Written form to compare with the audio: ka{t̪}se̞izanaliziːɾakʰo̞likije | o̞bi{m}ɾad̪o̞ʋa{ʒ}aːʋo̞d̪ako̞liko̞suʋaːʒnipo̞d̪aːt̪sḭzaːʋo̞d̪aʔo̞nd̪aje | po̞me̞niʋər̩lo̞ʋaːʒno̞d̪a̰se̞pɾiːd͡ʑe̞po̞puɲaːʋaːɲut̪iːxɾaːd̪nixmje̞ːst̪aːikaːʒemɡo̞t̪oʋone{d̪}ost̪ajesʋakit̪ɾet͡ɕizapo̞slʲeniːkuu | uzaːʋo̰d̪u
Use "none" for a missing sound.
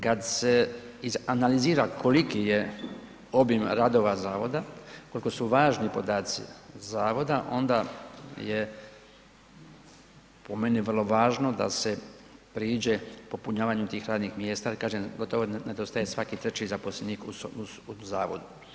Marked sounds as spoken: d̪, m, z, d̪

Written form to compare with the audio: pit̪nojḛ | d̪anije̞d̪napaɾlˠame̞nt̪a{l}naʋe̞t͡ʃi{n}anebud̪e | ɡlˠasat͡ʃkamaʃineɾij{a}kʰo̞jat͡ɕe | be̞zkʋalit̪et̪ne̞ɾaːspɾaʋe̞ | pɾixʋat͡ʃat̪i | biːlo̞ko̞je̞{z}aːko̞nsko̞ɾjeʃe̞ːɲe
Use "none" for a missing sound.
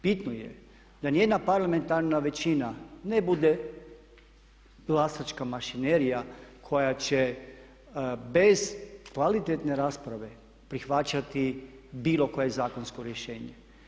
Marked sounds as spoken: ɾ, n, a, z

